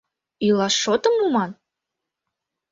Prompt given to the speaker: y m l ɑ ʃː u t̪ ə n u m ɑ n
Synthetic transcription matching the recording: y l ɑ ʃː o t̪ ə m u m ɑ n

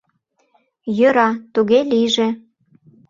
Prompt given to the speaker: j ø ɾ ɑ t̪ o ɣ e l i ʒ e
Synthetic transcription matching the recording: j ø ɾ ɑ t̪ u ɣ e l i ʒ e

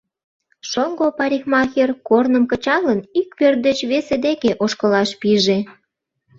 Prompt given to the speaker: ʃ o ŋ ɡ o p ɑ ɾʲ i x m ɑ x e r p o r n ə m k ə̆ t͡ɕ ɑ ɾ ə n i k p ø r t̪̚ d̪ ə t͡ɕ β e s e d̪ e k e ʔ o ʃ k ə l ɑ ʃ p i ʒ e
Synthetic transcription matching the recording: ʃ o ŋ ɡ o p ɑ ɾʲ i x m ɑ x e r k o r n ə m k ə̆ t͡ɕ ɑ l ə n i k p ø r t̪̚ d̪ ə t͡ɕ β e s e d̪ e k e ʔ o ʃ k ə l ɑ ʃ p i ʒ e

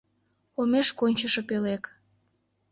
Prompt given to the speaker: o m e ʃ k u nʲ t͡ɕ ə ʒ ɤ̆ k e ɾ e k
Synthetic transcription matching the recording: o m e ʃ k o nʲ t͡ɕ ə ʃ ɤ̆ p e l e k

